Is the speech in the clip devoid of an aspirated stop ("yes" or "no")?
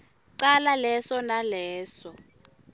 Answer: yes